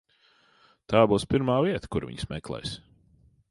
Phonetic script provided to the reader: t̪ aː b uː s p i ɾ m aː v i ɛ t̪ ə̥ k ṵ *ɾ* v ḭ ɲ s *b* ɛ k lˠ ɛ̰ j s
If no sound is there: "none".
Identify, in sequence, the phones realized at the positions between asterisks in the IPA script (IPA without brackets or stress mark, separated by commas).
ɾ, m